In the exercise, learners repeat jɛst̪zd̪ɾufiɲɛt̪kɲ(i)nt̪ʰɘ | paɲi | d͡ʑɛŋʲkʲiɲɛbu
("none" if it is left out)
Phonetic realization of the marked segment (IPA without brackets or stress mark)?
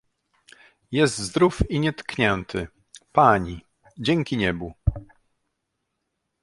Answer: ɛ